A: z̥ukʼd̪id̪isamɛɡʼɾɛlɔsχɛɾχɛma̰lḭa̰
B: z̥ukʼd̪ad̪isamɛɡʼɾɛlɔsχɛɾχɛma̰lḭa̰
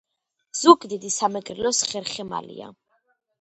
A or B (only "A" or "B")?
A